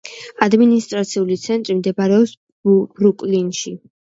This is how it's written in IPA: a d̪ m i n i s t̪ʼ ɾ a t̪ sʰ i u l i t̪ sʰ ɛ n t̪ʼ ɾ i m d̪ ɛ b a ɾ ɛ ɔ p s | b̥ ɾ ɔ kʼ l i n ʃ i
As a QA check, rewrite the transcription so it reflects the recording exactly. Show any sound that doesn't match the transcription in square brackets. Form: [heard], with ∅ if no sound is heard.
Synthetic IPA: a d̪ m i n i s t̪ʼ ɾ a t̪ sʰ i u l i t̪ sʰ ɛ n t̪ʼ ɾ i m d̪ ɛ b a ɾ ɛ ɔ p s | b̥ ɾ [u] kʼ l i n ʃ i